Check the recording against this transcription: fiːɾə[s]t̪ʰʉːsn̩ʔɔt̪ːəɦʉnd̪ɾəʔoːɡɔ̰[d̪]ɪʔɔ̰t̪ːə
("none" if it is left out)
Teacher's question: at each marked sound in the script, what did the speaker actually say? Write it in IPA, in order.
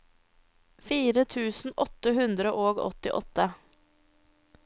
none, t̪

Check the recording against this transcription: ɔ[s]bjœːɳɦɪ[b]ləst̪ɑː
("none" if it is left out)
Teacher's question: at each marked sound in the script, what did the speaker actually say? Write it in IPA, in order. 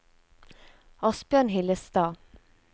s, none

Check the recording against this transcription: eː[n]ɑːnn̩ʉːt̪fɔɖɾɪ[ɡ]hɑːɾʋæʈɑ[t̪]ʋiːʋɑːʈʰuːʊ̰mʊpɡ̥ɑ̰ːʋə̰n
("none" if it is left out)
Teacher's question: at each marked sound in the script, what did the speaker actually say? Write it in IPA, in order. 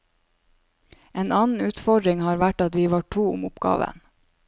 n, ŋ, t̪

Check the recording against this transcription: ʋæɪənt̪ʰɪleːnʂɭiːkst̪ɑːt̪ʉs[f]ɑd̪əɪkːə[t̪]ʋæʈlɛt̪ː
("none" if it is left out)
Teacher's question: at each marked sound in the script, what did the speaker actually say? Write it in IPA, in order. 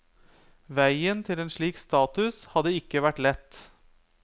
h, none

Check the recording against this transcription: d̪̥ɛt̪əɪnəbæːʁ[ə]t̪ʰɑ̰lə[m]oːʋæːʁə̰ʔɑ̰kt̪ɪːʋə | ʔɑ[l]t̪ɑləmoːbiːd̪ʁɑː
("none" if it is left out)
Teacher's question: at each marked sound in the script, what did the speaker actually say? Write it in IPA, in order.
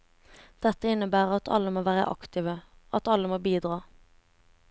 ɑ, m, none

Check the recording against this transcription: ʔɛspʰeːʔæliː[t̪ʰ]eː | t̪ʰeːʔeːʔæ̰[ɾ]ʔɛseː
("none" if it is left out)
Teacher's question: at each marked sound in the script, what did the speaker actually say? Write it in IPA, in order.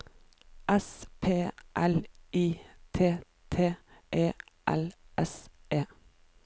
t̪ʰ, l

